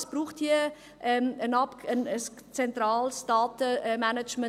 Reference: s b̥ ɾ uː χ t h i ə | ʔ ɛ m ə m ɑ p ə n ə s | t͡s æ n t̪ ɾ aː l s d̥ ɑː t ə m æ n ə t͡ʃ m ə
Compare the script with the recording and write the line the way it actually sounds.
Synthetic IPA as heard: s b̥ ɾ uː χ t h i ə | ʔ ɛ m ə n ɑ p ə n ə s | t͡s ɛ n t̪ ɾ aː l s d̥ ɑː t ə m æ n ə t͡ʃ m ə